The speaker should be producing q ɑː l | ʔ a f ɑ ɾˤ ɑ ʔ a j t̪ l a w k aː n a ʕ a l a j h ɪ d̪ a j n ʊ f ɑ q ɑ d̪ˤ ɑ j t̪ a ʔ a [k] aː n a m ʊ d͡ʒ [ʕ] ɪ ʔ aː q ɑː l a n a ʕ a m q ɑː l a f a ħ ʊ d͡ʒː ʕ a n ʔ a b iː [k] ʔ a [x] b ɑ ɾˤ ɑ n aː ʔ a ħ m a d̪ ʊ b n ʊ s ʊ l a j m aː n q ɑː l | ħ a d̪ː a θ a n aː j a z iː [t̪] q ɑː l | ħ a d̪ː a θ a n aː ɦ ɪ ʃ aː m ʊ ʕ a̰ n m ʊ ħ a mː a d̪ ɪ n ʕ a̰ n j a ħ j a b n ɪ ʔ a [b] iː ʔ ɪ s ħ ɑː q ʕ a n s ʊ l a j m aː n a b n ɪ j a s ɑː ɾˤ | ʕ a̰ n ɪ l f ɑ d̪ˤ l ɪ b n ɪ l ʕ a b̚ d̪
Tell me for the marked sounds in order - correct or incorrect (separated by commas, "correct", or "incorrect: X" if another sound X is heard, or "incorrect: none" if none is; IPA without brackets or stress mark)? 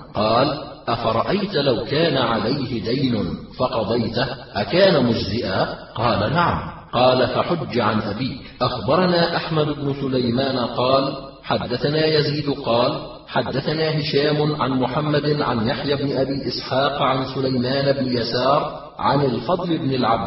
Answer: correct, incorrect: z, correct, correct, incorrect: d̪, correct